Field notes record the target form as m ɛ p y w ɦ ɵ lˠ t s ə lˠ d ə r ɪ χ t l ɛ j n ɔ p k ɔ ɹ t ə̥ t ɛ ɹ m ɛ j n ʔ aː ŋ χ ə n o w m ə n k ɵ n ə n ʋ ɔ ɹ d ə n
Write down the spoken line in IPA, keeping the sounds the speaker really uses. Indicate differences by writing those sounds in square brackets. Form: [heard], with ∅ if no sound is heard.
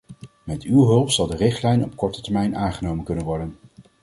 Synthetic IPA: m ɛ [t] y w ɦ ɵ lˠ [p] s [ɑ] lˠ d ə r ɪ χ t l ɛ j n ɔ p k ɔ ɹ t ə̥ t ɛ ɹ m ɛ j n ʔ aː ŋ χ ə n o w m ə n k ɵ n ə n ʋ ɔ ɹ d ə n